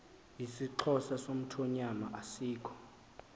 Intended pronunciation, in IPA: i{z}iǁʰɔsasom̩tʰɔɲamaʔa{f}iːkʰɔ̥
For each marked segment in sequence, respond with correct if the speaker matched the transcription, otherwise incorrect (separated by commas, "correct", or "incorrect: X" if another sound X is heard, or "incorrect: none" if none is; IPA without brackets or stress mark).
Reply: incorrect: s, incorrect: s